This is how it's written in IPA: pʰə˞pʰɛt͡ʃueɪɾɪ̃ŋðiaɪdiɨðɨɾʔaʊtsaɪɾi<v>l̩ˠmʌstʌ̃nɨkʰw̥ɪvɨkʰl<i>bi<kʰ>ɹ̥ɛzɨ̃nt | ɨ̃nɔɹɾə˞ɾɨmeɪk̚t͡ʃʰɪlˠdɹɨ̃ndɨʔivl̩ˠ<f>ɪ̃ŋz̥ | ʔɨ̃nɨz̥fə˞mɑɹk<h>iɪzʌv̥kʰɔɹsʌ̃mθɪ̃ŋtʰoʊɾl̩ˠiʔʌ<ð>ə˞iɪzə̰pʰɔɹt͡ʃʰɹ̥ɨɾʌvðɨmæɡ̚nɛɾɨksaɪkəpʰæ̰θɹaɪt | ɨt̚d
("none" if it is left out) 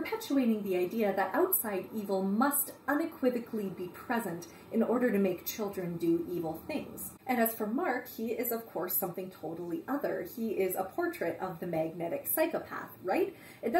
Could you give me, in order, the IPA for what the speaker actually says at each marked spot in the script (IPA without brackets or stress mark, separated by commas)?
v, i, pʰ, θ, h, ð